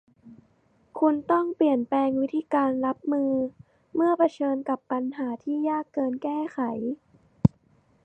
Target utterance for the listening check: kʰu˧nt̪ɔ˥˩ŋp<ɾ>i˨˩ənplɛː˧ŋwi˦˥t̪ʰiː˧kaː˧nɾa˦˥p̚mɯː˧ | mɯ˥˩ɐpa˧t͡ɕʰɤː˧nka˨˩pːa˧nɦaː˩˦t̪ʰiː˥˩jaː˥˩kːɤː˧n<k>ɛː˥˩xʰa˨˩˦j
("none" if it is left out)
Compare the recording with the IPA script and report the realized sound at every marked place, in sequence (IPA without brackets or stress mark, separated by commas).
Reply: l, k